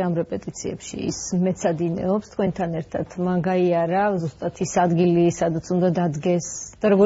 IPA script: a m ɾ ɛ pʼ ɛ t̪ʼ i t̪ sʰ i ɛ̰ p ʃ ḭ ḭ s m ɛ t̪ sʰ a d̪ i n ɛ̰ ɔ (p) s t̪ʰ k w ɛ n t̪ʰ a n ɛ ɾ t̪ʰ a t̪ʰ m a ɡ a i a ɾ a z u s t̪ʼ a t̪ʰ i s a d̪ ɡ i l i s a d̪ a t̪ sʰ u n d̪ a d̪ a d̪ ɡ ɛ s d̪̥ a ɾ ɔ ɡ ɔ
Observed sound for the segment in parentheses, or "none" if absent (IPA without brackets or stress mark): p